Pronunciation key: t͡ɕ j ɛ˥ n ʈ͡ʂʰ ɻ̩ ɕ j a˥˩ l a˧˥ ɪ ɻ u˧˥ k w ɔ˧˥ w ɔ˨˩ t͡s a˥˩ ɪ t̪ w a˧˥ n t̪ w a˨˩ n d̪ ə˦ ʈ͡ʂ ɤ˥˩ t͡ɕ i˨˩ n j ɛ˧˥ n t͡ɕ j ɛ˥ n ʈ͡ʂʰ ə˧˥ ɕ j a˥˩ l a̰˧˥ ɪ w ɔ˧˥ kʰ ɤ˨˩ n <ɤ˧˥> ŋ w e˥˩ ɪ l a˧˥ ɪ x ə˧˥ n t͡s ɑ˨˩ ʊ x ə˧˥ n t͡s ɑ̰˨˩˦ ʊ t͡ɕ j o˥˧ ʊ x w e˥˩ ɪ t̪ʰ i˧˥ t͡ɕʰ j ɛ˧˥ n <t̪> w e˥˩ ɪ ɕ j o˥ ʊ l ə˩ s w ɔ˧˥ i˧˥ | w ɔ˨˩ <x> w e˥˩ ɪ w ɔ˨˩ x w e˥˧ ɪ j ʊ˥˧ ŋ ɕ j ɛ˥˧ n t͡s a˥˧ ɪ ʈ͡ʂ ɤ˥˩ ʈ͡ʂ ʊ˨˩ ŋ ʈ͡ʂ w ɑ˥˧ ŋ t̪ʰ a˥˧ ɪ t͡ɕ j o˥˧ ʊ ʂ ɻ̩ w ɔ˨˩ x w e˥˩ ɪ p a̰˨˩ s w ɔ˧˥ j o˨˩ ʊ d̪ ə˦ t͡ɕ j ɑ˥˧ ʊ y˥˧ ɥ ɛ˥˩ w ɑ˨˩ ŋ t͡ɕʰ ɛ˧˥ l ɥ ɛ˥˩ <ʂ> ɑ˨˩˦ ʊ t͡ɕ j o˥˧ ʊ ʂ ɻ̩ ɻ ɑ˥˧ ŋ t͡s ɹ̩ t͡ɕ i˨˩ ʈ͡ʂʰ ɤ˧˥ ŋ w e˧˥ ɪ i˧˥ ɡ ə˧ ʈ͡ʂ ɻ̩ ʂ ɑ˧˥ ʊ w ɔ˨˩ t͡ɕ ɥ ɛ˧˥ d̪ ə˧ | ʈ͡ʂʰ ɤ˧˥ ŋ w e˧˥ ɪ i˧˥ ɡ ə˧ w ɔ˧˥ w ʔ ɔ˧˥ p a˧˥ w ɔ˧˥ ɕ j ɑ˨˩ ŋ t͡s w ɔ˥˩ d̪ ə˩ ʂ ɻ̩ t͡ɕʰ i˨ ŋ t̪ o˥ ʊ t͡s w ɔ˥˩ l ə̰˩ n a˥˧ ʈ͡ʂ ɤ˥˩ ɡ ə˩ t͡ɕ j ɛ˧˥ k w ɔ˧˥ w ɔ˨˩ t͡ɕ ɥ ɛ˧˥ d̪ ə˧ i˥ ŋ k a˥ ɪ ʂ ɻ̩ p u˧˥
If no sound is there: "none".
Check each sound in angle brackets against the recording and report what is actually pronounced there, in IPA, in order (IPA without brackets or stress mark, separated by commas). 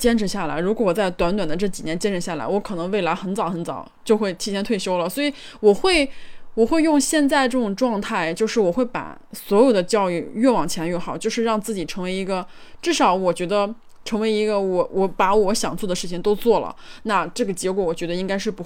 ɤ˧˥, t̪ʰ, x, x